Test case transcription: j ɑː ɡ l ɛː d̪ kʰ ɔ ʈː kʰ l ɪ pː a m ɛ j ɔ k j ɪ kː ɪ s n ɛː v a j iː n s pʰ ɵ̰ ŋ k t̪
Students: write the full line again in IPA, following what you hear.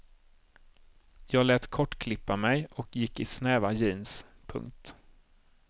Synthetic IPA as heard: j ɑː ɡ l ɛː t̪ kʰ ɔ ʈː kʰ l ɪ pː a m ɛ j ɔ k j ɪ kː ɪ s n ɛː v a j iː n s pʰ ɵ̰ ŋ k t̪